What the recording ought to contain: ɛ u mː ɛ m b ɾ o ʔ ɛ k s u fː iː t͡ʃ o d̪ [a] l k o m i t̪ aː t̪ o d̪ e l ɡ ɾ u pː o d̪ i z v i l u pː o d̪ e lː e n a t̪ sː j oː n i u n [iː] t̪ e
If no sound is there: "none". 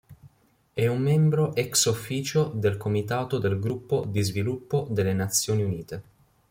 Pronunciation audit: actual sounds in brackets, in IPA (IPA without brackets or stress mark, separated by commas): e, iː